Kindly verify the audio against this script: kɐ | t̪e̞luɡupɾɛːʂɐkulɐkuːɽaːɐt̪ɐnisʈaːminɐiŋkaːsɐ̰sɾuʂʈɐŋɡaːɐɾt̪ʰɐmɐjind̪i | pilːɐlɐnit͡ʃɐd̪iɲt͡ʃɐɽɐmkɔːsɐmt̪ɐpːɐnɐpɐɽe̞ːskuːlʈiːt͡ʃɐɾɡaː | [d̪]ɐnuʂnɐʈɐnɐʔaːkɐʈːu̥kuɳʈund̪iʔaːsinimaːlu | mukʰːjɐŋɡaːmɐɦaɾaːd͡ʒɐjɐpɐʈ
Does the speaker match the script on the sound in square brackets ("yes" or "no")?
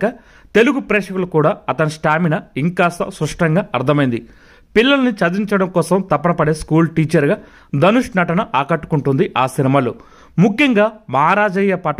yes